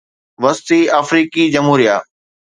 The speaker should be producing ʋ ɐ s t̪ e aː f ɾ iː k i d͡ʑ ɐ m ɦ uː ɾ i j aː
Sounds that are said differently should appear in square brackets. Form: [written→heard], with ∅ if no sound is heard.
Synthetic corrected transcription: ʋ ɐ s t̪ [e→i] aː f ɾ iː k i d͡ʑ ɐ m ɦ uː ɾ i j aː